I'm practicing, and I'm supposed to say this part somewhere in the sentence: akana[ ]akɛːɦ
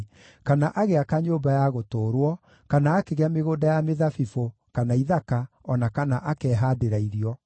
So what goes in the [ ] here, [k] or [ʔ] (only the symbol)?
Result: ʔ